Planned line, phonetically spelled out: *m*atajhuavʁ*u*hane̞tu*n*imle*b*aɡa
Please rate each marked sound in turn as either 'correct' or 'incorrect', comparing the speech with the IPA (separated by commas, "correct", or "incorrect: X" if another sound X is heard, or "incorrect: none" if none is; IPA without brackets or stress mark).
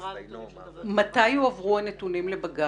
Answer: correct, correct, correct, correct